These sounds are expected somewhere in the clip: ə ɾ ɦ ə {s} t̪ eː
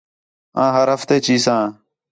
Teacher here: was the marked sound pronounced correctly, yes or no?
no